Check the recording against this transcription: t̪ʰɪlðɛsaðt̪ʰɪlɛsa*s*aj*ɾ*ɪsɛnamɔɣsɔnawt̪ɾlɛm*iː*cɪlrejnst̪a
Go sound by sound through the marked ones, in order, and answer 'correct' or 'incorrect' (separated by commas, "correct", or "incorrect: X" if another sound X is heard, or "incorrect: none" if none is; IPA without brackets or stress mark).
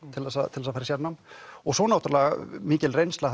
incorrect: f, correct, correct